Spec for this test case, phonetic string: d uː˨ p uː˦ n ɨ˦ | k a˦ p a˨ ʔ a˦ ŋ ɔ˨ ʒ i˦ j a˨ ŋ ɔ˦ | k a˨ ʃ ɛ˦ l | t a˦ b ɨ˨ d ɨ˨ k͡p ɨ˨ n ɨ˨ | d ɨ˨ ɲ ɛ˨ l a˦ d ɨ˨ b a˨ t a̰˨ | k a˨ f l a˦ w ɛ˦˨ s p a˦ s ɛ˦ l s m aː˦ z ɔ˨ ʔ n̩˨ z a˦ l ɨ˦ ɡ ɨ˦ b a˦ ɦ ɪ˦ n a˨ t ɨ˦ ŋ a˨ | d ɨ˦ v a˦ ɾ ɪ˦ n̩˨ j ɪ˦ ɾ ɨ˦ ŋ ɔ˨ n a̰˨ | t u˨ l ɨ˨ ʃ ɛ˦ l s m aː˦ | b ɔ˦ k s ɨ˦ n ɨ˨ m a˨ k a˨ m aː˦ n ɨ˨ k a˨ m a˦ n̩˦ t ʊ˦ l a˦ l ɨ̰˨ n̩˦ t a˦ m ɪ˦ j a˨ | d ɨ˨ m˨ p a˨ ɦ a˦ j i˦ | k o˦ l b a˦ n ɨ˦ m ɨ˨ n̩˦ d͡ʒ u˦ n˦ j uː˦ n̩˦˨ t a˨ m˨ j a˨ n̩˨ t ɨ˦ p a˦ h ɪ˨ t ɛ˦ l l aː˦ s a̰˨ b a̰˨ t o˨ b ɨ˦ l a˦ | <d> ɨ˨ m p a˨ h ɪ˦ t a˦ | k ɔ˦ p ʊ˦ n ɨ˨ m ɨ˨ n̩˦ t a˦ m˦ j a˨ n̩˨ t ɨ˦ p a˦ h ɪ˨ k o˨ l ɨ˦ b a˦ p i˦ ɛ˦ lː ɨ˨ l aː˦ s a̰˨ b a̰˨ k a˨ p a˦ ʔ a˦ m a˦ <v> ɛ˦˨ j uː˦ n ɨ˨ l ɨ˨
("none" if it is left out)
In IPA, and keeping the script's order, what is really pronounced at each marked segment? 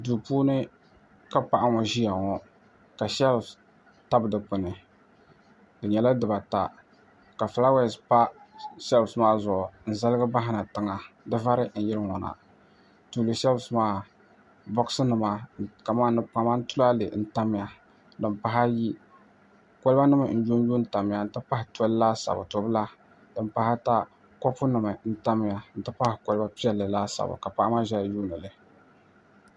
d, ʒ

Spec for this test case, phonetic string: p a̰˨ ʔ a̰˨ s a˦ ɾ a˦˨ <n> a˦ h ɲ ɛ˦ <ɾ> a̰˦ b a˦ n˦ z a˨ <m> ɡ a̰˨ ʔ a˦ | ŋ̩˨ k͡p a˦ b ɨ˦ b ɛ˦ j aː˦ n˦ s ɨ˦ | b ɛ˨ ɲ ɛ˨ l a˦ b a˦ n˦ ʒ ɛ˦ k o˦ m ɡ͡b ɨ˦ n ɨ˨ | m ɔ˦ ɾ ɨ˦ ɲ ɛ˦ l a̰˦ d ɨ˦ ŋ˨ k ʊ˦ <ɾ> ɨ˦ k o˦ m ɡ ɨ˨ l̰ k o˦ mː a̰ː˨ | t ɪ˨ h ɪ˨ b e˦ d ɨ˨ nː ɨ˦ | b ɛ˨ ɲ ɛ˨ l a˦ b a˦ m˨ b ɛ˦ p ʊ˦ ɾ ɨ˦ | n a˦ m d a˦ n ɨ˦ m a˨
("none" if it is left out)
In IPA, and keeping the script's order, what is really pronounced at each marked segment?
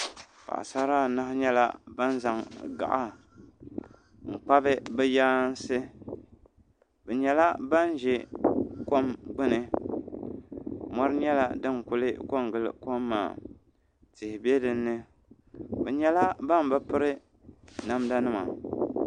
n, l, ŋ, l

